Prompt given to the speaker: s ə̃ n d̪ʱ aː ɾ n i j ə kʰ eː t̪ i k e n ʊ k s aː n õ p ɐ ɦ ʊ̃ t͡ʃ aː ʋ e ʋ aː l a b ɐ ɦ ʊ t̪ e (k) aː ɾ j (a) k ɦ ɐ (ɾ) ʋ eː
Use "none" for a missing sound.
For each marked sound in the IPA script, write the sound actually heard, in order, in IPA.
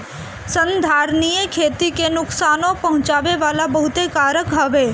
k, ə, none

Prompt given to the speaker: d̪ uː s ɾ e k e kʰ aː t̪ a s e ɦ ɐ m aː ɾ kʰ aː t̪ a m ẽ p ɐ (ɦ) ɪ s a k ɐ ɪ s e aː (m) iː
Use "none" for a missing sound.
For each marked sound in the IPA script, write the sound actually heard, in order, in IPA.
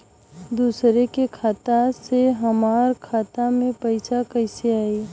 none, none

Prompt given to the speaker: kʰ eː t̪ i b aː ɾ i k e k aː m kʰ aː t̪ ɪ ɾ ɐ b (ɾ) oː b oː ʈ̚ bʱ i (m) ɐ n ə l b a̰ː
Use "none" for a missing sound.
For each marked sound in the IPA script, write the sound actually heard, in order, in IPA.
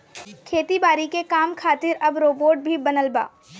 ɾ, b

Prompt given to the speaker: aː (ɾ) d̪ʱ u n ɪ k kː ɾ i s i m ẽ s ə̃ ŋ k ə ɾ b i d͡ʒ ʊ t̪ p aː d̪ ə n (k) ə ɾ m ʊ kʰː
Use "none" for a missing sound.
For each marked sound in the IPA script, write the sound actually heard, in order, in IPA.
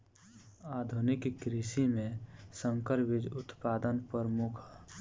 none, p

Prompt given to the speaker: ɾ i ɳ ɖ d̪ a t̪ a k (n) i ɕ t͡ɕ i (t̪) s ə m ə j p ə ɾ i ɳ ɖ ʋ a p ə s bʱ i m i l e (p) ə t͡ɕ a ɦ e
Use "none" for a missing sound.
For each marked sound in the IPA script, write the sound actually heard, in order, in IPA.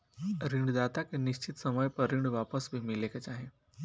n, t̪, k

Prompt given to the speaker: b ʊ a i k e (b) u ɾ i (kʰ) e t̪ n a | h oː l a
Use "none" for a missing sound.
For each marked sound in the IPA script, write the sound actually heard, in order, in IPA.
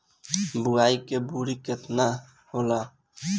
b, k

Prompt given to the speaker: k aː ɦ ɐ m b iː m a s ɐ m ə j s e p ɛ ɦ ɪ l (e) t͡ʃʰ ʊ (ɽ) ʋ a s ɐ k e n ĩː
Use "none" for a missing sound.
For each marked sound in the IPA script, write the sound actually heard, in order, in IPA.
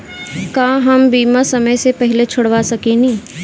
e, ɽ

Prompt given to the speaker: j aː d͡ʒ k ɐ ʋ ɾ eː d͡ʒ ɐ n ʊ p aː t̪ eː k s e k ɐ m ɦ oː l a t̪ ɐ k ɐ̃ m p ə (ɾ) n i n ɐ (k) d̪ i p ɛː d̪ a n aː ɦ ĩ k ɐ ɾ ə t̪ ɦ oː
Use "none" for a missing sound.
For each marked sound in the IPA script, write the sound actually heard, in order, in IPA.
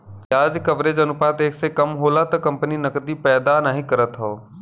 none, k

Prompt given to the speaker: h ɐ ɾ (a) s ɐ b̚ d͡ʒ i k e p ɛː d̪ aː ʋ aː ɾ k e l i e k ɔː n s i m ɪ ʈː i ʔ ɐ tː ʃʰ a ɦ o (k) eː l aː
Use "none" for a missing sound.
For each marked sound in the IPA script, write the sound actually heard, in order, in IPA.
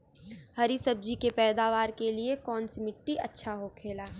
i, kʰ

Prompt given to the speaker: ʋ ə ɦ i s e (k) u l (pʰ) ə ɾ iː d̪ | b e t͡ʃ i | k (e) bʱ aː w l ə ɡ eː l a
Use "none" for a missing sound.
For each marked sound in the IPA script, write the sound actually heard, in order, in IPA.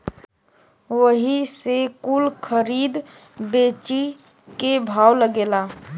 k, kʰ, e

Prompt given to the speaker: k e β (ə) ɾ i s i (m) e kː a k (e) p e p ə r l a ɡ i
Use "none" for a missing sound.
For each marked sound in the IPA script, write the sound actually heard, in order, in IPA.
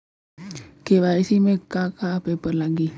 a, m, a

